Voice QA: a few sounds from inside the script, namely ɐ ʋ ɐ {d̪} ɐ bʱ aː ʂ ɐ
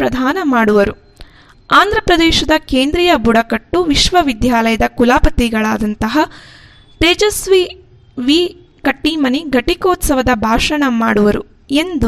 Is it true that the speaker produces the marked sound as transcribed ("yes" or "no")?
yes